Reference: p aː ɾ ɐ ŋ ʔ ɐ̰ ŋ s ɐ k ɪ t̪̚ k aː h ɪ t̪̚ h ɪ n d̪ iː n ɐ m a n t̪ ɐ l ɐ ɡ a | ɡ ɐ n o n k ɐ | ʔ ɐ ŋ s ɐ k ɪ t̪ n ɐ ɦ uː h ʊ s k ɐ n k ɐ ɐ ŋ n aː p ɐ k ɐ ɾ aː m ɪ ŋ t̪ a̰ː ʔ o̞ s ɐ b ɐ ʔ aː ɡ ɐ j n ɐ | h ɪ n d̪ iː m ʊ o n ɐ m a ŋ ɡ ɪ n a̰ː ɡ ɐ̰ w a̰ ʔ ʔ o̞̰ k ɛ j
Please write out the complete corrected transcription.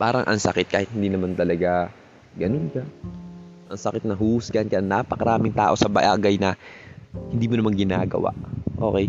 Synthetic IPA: p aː ɾ ɐ ŋ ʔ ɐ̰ ŋ s ɐ k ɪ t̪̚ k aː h ɪ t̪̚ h ɪ n d̪ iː n ɐ m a n t̪ ɐ l ɐ ɡ a | ɡ ɐ n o n k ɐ | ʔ ɐ ŋ s ɐ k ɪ t̪ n ɐ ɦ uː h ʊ s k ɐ n k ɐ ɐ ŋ n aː p ɐ k ɐ ɾ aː m ɪ ŋ t̪ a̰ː ʔ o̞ s ɐ b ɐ ʔ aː ɡ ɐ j n ɐ | h ɪ n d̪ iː m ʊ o n ɐ m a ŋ ɡ ɪ n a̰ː ɡ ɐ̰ w a̰ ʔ ʔ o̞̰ k ɛ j